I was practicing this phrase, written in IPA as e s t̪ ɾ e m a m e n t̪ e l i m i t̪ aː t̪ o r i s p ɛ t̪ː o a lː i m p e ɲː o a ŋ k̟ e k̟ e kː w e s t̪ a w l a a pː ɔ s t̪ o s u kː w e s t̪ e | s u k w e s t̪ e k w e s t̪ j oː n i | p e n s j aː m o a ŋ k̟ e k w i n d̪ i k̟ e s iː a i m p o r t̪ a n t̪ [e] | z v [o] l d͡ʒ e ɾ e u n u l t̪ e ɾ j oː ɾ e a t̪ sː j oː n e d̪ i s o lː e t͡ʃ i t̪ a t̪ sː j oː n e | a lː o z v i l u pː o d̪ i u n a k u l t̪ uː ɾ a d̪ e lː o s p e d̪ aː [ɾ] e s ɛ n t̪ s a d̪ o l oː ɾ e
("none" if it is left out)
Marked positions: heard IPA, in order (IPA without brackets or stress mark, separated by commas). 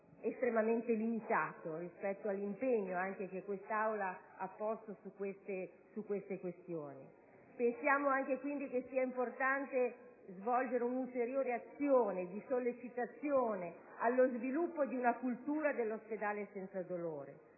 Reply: e, ɔ, l